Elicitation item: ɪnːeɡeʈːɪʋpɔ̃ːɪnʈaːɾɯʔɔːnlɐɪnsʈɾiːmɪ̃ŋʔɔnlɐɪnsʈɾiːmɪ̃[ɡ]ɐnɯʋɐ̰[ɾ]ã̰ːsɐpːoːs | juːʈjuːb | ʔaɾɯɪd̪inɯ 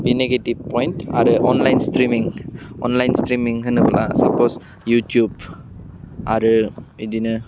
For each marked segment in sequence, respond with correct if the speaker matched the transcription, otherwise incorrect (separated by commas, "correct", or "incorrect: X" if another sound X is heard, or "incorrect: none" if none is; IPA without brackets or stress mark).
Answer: incorrect: ŋ, incorrect: l